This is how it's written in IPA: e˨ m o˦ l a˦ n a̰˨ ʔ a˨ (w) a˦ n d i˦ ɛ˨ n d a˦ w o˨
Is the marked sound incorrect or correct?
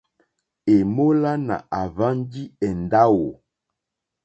incorrect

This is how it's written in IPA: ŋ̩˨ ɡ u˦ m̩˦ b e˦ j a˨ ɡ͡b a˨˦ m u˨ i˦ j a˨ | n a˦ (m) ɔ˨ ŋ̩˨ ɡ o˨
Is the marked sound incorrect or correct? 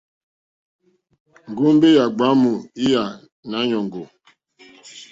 incorrect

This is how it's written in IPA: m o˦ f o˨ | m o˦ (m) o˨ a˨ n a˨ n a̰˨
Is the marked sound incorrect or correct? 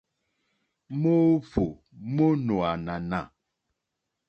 incorrect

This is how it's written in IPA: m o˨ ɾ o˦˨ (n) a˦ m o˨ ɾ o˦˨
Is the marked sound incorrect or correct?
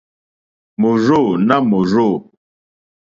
correct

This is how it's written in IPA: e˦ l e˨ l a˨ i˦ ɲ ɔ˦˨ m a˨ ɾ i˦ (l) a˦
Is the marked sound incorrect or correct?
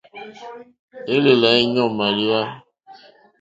incorrect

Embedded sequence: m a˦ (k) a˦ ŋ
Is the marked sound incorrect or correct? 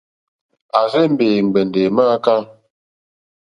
correct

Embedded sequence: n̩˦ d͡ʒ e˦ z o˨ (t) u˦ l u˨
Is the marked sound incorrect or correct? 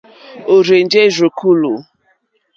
incorrect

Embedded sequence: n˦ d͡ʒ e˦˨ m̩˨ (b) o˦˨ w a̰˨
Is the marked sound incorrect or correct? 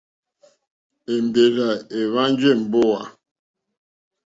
correct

